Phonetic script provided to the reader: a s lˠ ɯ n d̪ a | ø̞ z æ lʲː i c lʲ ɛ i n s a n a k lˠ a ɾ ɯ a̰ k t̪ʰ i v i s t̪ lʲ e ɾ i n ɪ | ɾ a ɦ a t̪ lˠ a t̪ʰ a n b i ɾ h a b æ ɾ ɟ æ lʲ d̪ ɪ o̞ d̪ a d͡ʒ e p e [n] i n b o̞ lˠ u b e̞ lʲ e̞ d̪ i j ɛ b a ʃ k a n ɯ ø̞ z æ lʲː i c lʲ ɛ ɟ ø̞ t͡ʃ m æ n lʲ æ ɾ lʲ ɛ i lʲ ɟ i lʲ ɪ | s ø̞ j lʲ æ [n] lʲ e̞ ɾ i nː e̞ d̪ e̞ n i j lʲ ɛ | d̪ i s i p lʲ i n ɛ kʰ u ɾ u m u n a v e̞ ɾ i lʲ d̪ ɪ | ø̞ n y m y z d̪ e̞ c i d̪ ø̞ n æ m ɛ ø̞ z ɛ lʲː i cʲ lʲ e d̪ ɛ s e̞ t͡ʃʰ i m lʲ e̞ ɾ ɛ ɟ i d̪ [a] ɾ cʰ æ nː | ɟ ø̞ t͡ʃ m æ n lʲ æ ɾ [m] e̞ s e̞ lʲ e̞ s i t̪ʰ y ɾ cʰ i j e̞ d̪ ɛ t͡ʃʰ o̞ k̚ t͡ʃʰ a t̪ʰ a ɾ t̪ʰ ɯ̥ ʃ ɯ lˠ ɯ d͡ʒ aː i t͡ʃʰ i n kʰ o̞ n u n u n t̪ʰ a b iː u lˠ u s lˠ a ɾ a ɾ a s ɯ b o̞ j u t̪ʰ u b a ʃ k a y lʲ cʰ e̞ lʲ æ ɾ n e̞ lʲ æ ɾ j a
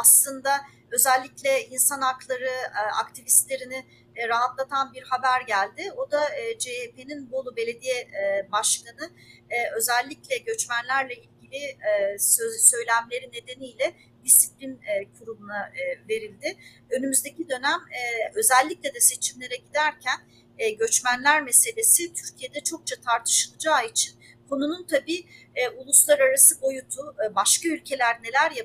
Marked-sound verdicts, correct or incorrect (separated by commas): correct, incorrect, incorrect, correct